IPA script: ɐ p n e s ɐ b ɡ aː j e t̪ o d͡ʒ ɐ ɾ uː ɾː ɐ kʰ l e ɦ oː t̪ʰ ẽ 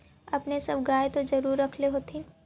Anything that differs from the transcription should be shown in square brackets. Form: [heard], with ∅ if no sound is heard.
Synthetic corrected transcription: ɐ p n e s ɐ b ɡ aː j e t̪ o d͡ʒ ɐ ɾ uː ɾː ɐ kʰ l e ɦ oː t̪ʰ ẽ